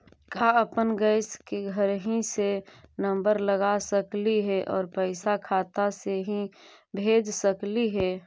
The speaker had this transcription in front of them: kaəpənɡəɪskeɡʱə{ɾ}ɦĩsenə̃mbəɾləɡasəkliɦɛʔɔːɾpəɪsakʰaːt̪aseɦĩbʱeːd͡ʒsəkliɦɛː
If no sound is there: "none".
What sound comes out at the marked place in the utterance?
ɾ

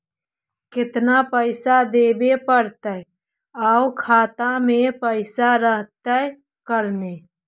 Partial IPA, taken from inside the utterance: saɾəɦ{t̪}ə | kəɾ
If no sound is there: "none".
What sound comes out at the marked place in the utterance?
t̪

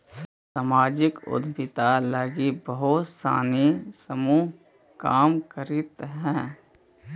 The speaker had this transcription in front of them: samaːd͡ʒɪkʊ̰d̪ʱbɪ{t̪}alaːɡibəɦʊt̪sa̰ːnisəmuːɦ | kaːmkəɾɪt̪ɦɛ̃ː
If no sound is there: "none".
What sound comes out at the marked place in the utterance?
t̪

